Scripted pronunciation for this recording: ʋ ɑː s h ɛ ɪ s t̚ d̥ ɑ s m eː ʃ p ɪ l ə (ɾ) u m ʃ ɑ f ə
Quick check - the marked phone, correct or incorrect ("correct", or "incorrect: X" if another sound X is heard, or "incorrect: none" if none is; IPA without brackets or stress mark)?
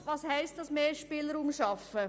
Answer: correct